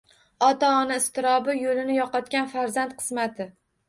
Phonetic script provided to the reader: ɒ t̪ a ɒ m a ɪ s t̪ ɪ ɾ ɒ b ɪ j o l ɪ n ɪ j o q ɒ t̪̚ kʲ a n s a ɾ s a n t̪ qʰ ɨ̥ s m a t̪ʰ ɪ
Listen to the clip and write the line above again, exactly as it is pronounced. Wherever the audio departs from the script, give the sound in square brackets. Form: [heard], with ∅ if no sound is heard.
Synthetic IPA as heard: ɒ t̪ a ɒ [n] a ɪ s t̪ ɪ ɾ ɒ b ɪ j o l ɪ n ɪ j [ɒ] q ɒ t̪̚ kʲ a n [f] a ɾ [z] a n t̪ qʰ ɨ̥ s m a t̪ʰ ɪ